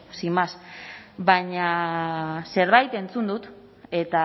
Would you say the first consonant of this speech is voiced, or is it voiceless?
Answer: voiceless